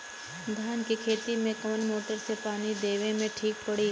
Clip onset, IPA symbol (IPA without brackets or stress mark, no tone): d̪ʱ